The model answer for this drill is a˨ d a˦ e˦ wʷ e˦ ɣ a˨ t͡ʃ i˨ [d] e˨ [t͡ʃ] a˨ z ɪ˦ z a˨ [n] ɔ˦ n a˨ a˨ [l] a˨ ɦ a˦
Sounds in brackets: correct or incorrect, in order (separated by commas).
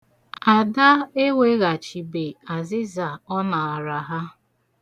incorrect, incorrect, incorrect, incorrect